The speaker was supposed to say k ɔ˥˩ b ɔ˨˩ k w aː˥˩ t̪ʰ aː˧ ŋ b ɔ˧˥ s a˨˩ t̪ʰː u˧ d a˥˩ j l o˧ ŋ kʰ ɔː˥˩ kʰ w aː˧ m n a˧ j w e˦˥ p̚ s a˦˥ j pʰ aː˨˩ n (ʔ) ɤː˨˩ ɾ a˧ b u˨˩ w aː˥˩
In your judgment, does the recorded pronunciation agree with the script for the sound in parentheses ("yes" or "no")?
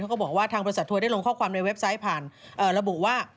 yes